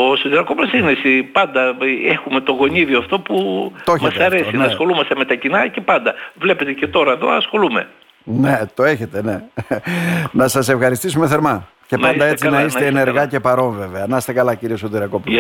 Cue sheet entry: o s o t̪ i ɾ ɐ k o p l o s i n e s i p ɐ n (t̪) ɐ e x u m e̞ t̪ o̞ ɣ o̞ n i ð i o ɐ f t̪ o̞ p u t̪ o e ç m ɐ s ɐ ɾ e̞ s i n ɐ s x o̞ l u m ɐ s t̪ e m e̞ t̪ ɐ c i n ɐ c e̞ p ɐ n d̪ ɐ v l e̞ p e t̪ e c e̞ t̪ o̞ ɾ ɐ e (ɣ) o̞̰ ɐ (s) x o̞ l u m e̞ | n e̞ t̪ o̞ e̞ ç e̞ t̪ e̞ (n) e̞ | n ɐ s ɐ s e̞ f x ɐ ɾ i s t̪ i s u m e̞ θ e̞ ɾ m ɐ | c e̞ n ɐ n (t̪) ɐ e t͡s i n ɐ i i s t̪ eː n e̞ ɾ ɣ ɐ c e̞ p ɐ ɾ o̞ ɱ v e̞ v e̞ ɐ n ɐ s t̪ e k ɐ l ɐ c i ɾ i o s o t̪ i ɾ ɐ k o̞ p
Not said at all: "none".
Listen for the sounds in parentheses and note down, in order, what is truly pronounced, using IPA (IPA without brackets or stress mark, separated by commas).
d̪, ð, s, n, d̪